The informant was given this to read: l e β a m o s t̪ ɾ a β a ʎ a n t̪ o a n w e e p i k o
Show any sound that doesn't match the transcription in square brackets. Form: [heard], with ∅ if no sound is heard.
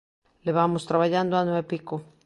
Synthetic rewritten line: l e β a m o s t̪ ɾ a β a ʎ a n [d̪] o a n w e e p i k o